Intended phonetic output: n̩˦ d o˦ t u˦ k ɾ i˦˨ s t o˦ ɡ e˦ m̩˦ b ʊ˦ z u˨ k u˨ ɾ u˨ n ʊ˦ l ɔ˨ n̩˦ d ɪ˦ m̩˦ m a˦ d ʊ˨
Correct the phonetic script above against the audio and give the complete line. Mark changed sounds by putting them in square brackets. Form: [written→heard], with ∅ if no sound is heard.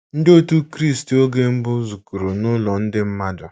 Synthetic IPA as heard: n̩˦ d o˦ t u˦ k ɾ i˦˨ s t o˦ ɡ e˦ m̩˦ b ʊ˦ z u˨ k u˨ ɾ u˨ n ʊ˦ l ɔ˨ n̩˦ d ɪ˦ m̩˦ m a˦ d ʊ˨